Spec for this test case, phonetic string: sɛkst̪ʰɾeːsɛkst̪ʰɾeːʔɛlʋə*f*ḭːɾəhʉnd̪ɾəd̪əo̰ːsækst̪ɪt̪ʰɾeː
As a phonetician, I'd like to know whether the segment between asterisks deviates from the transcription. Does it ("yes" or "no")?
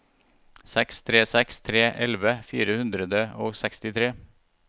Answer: no